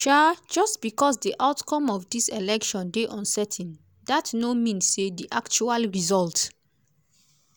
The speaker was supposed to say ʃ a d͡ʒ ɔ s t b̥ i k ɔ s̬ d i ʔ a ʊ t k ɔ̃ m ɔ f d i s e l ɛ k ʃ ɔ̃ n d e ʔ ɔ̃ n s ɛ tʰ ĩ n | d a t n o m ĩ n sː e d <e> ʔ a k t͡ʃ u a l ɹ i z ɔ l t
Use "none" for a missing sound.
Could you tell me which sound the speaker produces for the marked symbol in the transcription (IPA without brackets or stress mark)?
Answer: i